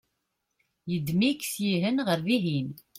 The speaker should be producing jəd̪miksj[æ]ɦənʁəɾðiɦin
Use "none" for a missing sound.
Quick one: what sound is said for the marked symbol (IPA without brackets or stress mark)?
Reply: i